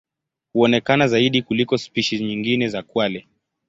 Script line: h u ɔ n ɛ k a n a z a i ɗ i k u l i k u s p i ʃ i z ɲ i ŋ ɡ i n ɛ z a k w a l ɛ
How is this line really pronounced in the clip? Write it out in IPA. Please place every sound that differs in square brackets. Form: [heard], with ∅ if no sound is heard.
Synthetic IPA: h u ɔ n ɛ k a n a z a i ɗ i k u l i k [ɔ] s p i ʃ i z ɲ i ŋ ɡ i n ɛ z a k w a l ɛ